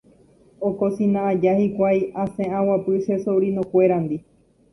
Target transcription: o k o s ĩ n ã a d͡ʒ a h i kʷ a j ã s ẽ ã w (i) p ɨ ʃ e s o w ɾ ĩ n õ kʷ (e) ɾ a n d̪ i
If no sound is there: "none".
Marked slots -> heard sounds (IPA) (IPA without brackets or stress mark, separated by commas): a, e